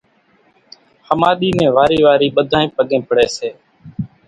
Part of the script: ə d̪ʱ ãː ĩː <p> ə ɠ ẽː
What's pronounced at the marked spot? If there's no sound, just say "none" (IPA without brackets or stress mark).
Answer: p